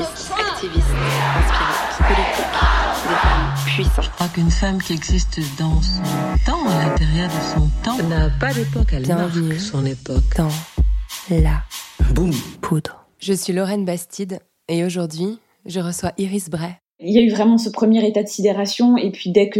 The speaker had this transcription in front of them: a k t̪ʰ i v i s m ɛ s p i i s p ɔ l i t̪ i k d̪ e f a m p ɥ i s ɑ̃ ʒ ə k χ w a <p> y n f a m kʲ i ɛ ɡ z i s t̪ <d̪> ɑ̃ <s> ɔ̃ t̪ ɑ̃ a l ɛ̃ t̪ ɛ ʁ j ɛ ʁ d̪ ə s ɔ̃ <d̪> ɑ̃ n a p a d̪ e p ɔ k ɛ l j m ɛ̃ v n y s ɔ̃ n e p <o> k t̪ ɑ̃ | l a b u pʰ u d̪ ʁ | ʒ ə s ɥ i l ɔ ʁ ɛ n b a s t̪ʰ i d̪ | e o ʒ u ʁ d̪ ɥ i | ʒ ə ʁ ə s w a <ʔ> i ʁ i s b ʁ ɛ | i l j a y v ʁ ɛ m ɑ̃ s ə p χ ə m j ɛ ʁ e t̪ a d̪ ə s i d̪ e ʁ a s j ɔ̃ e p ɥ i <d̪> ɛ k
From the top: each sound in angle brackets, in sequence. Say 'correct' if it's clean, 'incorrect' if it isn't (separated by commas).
incorrect, correct, correct, incorrect, incorrect, correct, correct